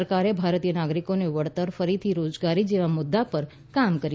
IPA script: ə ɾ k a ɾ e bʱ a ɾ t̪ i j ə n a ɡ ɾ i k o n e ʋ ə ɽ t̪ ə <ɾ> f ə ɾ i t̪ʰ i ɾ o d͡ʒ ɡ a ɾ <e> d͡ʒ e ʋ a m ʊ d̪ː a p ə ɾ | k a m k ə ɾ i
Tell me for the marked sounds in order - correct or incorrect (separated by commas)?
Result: correct, incorrect